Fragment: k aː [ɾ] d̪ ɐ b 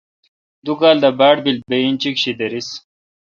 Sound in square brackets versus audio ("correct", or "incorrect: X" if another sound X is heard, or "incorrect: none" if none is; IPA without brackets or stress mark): incorrect: l